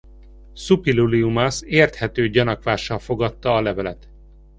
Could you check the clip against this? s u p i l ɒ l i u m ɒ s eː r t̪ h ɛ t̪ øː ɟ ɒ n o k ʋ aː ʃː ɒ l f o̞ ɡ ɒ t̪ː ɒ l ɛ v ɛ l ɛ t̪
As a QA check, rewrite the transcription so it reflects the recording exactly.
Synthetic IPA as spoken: s u p i l u l i u m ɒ s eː r t̪ h ɛ t̪ øː ɟ ɒ n ɒ k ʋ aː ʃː ɒ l f o̞ ɡ ɒ t̪ː ɒː l ɛ v ɛ l ɛ t̪